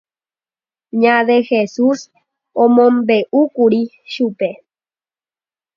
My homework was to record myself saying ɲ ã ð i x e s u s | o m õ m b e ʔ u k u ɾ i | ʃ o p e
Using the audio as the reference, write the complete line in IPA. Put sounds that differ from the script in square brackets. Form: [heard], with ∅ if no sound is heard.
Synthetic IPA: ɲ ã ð [e] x e s u s | o m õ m b e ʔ u k u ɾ i | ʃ [u] p e